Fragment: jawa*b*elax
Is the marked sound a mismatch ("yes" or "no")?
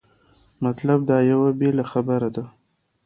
no